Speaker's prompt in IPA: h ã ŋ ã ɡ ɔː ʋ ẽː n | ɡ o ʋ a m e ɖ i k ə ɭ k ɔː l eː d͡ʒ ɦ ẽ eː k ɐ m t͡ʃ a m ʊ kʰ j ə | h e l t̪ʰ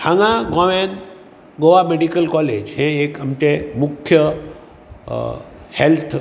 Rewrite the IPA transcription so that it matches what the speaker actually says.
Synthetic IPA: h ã ŋ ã ɡ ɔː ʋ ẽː n | ɡ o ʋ a m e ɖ i k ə l k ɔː l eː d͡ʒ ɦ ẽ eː k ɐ m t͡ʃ e m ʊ kʰ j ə | h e l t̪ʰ